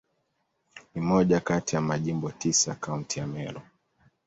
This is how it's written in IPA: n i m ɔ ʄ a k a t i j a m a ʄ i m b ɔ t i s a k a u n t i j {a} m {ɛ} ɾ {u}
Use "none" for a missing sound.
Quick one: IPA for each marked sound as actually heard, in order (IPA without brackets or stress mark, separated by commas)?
a, ɛ, ɔ